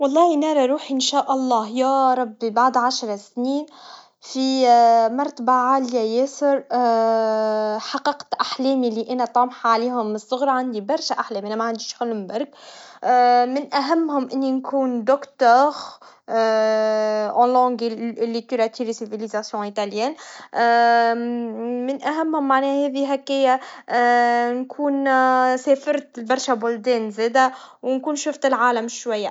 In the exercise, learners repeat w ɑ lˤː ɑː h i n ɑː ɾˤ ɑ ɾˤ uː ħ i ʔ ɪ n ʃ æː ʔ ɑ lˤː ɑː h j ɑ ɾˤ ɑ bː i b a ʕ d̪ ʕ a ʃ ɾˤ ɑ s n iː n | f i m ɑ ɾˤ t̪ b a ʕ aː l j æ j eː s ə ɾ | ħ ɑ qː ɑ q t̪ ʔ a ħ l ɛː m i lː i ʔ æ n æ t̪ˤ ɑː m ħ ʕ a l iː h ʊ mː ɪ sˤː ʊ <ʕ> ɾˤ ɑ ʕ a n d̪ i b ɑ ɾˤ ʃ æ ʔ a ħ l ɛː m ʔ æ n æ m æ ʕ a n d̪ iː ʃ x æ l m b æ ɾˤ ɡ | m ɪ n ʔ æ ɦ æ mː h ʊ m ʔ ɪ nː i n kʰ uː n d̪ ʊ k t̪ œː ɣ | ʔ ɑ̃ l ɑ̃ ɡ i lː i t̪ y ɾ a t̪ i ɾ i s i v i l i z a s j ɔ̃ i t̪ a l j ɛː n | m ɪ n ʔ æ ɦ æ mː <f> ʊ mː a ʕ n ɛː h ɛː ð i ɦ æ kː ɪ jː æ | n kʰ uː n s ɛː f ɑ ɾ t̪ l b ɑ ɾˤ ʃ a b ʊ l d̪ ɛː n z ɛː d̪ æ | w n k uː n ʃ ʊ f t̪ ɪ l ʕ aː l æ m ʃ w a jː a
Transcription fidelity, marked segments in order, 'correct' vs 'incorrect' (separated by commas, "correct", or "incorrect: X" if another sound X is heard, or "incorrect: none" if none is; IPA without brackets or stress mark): incorrect: ɣ, incorrect: h